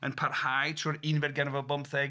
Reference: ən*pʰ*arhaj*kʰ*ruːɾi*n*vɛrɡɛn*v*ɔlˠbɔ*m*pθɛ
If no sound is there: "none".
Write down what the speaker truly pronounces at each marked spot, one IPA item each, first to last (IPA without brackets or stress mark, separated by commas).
pʰ, tʰ, n, v, m